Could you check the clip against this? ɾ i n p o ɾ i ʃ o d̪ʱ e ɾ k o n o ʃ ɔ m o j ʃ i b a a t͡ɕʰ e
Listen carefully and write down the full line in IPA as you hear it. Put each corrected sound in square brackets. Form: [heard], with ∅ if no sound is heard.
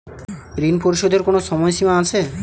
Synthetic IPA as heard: ɾ i n p o ɾ i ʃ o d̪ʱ e ɾ k o n o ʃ ɔ m [ɔ] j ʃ i [m] a a t͡ɕʰ e

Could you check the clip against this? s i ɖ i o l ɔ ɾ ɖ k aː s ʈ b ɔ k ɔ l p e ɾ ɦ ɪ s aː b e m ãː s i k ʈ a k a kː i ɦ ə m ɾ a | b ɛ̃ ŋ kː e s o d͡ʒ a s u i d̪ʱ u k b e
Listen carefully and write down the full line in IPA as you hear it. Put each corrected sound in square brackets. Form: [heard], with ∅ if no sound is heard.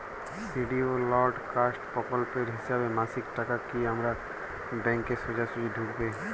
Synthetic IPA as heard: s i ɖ i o l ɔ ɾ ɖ k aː s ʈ [p] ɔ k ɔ l p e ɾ ɦ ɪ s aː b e m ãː s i k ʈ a k a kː i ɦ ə m ɾ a | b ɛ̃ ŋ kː e s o d͡ʒ a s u i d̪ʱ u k b e

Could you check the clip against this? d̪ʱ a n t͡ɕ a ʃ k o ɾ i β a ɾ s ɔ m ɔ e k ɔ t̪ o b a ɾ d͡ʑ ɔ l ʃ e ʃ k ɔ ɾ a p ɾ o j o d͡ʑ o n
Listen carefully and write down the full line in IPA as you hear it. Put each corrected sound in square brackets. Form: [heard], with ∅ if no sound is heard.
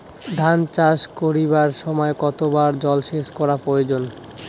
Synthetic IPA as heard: d̪ʱ a n t͡ɕ a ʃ k o ɾ i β a ɾ [ʃ] ɔ m ɔ e k ɔ t̪ o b a ɾ d͡ʑ ɔ l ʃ e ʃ k ɔ ɾ a p ɾ o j o d͡ʑ o n

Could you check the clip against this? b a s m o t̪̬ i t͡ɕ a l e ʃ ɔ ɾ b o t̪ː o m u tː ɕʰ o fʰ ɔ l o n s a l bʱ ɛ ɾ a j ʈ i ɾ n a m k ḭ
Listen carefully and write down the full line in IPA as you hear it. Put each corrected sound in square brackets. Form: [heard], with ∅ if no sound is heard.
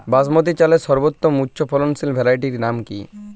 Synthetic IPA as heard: b a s m o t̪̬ i t͡ɕ a l e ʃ ɔ ɾ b o t̪ː o m u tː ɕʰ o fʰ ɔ l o n s [i] l bʱ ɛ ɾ a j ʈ i ɾ n a m k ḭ

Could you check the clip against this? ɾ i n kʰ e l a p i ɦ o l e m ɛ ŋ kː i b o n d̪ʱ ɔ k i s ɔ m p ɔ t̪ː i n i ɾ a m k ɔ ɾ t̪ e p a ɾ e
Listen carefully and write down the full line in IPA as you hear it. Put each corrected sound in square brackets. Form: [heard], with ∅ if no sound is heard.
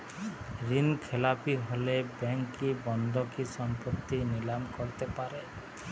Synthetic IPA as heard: ɾ i n kʰ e l a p i ɦ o l e [b] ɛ ŋ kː i b [ɔ] n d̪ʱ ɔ k i s ɔ m p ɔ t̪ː i n i [l] a m k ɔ ɾ t̪ e p a ɾ e

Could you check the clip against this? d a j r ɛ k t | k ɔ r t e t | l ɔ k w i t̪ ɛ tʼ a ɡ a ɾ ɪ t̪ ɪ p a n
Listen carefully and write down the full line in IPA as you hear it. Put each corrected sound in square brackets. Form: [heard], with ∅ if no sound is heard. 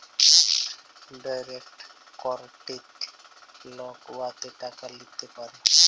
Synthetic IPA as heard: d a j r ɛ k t | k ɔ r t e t | l ɔ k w [a] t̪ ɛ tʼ a [k] a [l] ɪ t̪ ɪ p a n

